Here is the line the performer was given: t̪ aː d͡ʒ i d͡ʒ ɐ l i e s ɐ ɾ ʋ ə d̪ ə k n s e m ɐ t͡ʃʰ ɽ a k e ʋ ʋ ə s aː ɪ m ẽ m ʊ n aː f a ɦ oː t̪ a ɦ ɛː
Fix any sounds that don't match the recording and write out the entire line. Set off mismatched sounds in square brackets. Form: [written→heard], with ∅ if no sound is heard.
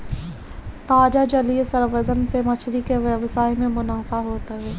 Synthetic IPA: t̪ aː d͡ʒ [i→a] d͡ʒ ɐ l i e s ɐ ɾ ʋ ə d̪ ə [k→∅] n s e m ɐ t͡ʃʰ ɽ [a→i] k e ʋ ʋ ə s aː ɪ m ẽ m ʊ n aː f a ɦ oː t̪ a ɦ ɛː